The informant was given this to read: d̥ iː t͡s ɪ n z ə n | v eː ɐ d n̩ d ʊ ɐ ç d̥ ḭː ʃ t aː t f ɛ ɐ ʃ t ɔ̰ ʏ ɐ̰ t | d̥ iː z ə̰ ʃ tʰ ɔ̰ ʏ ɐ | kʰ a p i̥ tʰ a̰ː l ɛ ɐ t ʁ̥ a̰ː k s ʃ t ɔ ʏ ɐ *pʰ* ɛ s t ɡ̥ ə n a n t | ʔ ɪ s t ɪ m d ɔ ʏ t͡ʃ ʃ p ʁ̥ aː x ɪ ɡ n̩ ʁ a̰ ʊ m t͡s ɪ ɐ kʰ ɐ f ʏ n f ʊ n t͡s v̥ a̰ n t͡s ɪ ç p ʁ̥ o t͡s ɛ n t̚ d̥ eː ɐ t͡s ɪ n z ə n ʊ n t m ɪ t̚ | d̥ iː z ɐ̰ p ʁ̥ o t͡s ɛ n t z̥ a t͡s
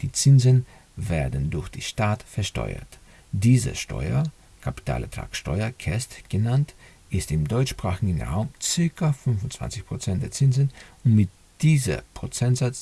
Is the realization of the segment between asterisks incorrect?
yes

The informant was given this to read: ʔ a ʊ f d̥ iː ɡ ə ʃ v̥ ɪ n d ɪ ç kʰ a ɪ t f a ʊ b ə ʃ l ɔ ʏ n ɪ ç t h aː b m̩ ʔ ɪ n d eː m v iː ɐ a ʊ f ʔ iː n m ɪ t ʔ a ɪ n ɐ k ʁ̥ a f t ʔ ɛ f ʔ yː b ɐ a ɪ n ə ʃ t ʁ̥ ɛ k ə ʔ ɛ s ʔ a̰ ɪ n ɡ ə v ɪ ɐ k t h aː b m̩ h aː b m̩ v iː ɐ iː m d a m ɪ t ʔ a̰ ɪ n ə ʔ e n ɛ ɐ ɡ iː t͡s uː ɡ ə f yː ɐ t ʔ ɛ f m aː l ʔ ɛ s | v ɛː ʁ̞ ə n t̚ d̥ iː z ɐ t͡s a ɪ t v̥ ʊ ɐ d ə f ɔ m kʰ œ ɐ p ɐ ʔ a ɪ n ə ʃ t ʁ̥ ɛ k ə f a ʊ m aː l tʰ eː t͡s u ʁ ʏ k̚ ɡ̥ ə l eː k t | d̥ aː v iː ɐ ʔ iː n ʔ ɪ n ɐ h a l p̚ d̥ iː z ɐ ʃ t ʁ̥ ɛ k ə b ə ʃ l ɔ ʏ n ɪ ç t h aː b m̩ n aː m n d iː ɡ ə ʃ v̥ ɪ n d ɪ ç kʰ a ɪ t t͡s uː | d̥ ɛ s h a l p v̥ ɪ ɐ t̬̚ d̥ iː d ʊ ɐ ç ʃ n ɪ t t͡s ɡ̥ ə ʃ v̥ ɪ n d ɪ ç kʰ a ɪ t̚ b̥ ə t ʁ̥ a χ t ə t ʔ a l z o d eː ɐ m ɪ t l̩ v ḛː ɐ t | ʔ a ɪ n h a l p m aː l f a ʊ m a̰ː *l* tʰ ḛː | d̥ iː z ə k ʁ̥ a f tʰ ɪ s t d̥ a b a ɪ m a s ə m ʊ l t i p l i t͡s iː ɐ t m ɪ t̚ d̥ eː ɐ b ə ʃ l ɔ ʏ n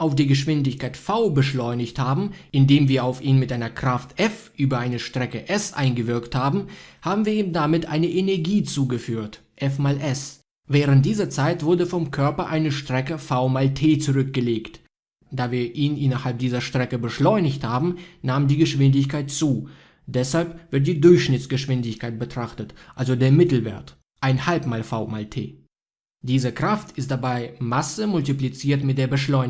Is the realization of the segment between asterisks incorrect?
no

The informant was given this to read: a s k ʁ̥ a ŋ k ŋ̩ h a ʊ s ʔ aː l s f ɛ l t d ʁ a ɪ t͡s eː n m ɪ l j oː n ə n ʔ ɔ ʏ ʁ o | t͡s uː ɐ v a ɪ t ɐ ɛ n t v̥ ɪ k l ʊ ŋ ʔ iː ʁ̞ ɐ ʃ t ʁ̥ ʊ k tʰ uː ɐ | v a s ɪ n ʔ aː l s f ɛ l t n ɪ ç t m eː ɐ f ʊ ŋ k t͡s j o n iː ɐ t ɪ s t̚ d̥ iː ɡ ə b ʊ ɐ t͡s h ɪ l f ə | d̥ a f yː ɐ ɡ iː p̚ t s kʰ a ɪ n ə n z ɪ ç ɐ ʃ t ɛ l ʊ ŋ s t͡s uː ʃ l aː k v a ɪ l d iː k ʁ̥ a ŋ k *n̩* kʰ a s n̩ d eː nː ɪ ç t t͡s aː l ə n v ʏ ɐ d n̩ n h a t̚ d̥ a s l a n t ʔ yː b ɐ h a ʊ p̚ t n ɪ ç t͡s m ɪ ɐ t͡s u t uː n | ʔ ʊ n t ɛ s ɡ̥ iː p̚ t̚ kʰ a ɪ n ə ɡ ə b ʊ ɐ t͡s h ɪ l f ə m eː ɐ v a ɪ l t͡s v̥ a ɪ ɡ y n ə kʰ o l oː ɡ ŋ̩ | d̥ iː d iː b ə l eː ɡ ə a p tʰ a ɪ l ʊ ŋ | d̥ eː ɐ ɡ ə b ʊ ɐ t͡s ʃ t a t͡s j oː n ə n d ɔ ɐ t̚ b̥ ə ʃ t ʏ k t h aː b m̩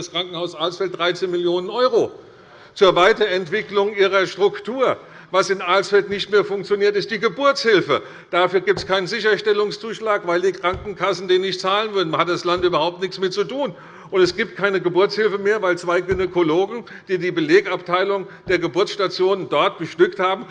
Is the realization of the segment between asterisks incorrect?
yes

